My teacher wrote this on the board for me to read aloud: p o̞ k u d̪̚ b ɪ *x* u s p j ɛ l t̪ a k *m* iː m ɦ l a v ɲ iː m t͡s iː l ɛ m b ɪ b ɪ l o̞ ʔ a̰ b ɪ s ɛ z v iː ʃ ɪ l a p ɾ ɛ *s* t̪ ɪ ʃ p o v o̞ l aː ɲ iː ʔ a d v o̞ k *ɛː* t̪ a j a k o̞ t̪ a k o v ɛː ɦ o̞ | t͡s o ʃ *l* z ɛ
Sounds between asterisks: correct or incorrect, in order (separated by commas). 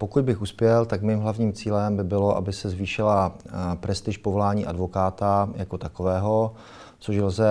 correct, correct, correct, incorrect, correct